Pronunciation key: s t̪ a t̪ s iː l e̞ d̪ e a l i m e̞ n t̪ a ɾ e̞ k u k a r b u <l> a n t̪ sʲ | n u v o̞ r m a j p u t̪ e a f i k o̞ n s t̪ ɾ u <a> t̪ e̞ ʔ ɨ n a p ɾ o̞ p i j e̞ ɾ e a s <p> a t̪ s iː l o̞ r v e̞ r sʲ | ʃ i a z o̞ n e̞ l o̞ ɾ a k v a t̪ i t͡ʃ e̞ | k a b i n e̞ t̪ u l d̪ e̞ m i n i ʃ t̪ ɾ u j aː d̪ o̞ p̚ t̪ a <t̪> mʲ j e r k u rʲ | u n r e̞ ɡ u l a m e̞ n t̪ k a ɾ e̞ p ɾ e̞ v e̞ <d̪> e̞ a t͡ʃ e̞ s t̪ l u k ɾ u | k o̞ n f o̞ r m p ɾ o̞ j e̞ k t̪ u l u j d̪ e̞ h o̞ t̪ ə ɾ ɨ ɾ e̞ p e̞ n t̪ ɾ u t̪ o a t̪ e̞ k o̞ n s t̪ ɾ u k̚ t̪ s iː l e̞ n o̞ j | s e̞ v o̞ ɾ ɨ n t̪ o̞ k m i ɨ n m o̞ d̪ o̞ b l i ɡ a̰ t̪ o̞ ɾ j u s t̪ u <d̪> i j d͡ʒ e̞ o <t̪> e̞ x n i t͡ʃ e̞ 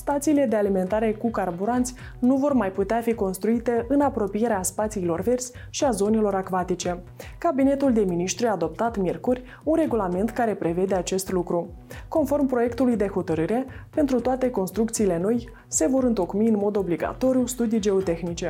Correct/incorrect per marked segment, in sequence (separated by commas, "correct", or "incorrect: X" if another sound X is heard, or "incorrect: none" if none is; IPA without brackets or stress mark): incorrect: ɾ, incorrect: i, correct, correct, correct, correct, correct